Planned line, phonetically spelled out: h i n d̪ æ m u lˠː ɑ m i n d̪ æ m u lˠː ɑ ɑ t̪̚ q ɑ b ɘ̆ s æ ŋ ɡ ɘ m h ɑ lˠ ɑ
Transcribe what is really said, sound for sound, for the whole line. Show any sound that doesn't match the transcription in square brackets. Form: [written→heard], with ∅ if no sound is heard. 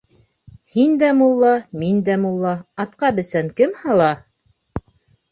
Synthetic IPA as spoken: h i n d̪ æ m u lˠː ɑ m i n d̪ æ m u lˠː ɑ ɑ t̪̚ q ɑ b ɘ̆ s æ ŋ [ɡ→k] ɘ m h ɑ lˠ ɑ